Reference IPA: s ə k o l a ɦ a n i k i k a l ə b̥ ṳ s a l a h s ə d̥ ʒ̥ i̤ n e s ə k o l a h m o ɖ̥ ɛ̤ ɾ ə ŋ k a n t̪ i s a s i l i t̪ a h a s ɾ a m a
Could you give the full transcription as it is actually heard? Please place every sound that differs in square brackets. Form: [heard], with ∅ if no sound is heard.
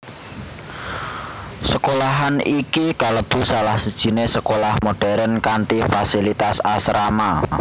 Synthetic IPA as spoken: s ə k o l a ɦ a n i k i k a l ə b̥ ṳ s a l a h s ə d̥ ʒ̥ i̤ n e s ə k o l a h m o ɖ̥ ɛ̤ ɾ ə [n] k a n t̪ i [f] a s i l i t̪ a [s] a s ɾ a m a